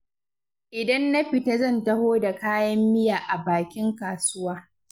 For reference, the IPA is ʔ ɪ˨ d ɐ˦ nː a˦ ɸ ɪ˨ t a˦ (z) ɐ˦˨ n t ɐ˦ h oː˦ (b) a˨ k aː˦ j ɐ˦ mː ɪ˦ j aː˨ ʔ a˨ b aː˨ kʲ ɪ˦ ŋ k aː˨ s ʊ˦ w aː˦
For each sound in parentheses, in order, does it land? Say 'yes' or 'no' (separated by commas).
yes, no